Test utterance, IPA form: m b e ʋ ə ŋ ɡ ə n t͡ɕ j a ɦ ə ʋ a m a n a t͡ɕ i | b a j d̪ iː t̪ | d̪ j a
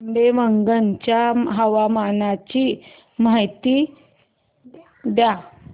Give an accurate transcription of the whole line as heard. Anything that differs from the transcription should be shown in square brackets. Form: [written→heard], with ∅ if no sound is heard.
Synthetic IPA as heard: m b e ʋ ə ŋ ɡ ə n t͡ɕ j a ɦ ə ʋ a m a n a t͡ɕ i | [b→m] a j [d̪→t̪] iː [t̪→∅] | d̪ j a

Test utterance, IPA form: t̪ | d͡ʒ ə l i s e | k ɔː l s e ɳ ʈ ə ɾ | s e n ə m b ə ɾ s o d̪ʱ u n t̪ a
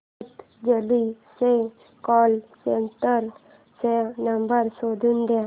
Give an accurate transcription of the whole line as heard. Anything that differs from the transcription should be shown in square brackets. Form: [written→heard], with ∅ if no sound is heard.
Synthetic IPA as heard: t̪ | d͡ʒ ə l i s e | k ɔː l s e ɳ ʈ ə ɾ | s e n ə m b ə ɾ s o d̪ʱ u n [t̪→d̪] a

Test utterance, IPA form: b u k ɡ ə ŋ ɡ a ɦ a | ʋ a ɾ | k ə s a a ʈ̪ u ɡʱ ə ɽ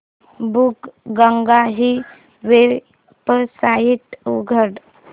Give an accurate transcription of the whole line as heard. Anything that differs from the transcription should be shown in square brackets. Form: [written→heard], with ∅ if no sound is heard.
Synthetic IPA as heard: b u k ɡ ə ŋ ɡ a ɦ [a→i] | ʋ [a→e] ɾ | [k→p] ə s a [a→i] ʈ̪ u ɡʱ ə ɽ

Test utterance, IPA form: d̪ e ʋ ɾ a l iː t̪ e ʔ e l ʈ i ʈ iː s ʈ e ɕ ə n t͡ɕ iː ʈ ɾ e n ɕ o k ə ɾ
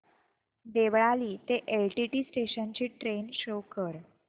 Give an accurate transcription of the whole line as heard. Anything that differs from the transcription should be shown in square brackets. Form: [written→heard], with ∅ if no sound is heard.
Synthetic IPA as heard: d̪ e ʋ [ɾ→ɭ] a l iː t̪ e ʔ e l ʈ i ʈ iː s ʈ e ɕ ə n t͡ɕ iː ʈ ɾ e n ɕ o k ə ɾ

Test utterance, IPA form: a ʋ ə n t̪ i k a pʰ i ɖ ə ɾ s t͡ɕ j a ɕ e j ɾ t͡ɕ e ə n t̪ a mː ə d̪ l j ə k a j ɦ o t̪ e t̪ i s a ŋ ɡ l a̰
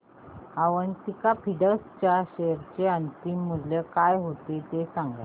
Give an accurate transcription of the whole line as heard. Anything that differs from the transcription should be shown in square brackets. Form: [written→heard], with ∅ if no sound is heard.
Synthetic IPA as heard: a ʋ ə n t̪ i k a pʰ i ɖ ə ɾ s t͡ɕ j a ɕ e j ɾ t͡ɕ e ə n t̪ [a→i] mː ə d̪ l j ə k a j ɦ o t̪ e t̪ [i→e] s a ŋ ɡ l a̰

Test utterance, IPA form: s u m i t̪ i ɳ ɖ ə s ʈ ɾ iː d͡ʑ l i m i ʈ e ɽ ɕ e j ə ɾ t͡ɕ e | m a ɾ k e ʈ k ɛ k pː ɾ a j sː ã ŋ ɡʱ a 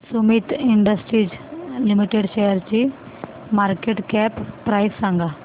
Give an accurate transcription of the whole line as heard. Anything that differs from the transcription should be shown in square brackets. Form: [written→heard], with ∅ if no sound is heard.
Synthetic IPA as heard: s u m i t̪ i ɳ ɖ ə s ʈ ɾ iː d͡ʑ l i m i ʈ e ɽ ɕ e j ə ɾ t͡ɕ [e→i] | m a ɾ k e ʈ k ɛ [k→p] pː ɾ a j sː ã ŋ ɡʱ a

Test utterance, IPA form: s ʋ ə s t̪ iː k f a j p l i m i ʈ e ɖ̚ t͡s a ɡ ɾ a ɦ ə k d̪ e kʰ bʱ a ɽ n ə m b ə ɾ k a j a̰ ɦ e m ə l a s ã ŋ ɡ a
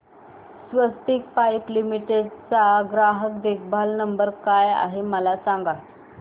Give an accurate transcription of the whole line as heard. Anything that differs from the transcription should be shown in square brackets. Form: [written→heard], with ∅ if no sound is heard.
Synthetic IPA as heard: s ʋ ə s t̪ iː k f a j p l i m i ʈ e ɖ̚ t͡s a ɡ ɾ a ɦ ə k d̪ e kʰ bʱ a [ɽ→l] n ə m b ə ɾ k a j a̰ ɦ e m ə l a s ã ŋ ɡ a

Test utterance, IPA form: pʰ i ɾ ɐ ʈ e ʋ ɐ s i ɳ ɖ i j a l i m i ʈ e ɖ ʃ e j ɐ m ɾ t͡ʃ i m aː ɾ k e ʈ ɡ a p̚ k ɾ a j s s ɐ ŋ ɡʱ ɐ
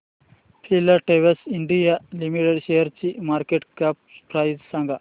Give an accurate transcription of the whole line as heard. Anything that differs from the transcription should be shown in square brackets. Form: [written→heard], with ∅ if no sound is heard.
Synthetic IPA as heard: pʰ i [ɾ→l] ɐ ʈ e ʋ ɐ s i ɳ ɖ i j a l i m i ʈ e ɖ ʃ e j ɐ [m→∅] ɾ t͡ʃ i m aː ɾ k e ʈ [ɡ→k] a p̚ [k→p] ɾ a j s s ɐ ŋ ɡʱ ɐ

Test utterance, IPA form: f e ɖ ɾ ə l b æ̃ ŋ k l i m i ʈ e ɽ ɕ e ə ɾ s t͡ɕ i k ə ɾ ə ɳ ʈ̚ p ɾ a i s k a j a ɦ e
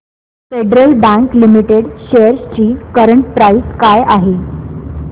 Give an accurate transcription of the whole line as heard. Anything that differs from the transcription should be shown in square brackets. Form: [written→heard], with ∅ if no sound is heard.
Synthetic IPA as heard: f e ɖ ɾ ə l b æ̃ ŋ k l i m i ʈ e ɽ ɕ e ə ɾ s t͡ɕ [i→iː] k ə ɾ ə ɳ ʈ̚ p ɾ a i s k a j a ɦ e

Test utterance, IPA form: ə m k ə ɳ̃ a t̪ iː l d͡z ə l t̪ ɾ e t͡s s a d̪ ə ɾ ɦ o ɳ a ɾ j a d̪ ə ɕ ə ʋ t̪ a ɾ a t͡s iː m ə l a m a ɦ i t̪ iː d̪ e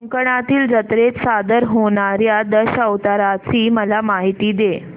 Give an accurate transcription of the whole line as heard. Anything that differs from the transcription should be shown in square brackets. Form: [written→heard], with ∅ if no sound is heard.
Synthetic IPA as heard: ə [m→ŋ] k ə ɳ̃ a t̪ iː l d͡z ə [l→∅] t̪ ɾ e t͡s s a d̪ ə ɾ ɦ o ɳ a ɾ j a d̪ ə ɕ ə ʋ t̪ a ɾ a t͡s iː m ə l a m a ɦ i t̪ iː d̪ e

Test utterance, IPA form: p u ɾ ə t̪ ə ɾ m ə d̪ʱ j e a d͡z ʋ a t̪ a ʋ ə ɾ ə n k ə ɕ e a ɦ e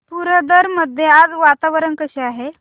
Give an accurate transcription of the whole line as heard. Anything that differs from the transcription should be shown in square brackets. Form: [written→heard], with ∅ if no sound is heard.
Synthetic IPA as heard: p u ɾ ə [t̪→d̪] ə ɾ m ə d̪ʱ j e a d͡z ʋ a t̪ a ʋ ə ɾ ə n k ə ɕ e a ɦ e

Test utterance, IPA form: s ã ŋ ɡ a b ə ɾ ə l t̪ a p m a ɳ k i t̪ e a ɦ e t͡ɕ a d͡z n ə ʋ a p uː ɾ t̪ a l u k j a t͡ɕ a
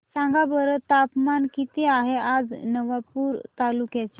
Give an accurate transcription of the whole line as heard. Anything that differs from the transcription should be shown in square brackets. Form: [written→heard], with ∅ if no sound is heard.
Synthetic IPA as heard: s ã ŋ ɡ a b ə ɾ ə [l→∅] t̪ a p m a [ɳ→n] k i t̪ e a ɦ e [t͡ɕ→∅] a d͡z n ə ʋ a p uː ɾ t̪ a l u k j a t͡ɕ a

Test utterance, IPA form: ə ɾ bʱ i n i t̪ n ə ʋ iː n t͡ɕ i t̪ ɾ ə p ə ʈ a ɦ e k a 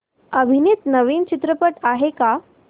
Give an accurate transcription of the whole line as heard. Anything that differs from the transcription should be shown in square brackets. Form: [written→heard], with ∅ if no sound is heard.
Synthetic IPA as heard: ə [ɾ→∅] bʱ i n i t̪ n ə ʋ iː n t͡ɕ i t̪ ɾ ə p ə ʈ a ɦ e k a

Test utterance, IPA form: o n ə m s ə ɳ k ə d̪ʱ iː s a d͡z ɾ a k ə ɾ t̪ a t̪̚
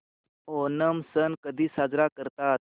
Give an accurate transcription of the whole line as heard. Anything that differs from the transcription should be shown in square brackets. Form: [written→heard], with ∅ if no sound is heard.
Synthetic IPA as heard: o n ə m s ə [ɳ→n] k ə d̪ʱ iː s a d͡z ɾ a k ə ɾ t̪ a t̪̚

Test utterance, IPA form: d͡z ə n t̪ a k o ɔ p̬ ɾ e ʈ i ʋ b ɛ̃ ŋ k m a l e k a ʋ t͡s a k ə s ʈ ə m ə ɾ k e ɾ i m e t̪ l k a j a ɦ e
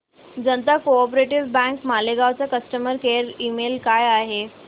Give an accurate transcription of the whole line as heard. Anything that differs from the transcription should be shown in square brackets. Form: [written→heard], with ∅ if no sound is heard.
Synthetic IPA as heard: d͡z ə n t̪ a k o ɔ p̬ ɾ e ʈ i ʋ b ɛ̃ ŋ k m a l e [k→ɡ] a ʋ t͡s a k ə s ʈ ə m ə ɾ k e ɾ i m e [t̪→∅] l k a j a ɦ e

